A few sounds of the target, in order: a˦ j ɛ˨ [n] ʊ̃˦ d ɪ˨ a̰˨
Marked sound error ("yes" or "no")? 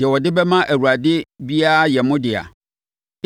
yes